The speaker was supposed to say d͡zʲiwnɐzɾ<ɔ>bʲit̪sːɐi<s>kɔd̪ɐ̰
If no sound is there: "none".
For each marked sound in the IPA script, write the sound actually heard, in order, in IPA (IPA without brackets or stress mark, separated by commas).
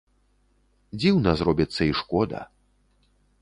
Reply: ɔ, ʂ